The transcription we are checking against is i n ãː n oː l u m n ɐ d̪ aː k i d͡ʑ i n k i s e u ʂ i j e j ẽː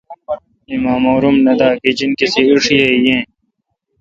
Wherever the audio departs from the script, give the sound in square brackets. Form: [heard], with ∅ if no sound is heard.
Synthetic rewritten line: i [m] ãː [m] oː [ɾ] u m n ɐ d̪ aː k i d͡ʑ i n k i s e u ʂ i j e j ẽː